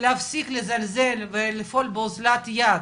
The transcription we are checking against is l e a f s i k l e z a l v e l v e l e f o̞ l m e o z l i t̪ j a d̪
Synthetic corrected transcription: l e a f s i k l e z a l z e l v e l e f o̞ l b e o z l a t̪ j a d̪